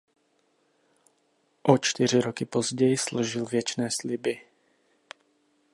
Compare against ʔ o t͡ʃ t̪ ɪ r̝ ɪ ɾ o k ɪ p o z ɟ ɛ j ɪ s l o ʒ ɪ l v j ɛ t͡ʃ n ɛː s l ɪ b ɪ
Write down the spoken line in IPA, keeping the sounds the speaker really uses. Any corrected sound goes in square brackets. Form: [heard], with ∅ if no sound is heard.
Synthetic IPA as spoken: ʔ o t͡ʃ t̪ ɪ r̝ ɪ ɾ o k ɪ p o z ɟ ɛ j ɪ s l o ʒ ɪ l v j ɛ t͡ʃ n ɛː s l ɪ b ɪ